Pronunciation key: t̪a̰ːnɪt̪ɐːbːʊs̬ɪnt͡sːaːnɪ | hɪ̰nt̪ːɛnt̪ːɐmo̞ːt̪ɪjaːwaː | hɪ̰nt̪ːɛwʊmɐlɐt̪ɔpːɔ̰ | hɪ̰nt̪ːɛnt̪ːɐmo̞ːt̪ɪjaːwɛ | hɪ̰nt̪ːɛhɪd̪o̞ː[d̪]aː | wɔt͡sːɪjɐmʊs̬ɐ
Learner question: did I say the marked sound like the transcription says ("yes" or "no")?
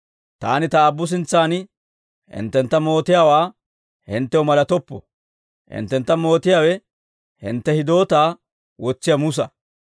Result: no